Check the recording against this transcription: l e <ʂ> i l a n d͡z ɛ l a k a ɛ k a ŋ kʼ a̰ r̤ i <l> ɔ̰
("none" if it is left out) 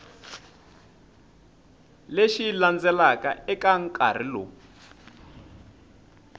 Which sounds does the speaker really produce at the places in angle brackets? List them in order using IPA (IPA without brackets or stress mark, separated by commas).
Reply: ʃ, l